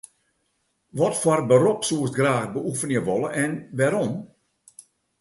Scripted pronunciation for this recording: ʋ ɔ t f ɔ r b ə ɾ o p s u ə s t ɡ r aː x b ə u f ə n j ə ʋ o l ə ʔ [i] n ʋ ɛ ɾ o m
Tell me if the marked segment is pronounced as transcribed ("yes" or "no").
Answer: no